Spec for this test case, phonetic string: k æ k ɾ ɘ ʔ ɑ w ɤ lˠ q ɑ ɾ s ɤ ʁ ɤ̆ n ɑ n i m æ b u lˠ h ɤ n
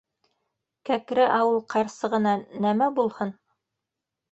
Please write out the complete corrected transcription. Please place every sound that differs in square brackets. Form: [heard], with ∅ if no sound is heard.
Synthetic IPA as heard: k æ k ɾ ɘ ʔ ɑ w ɤ lˠ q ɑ ɾ s ɤ ʁ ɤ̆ n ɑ n [æ] m æ b u lˠ h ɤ n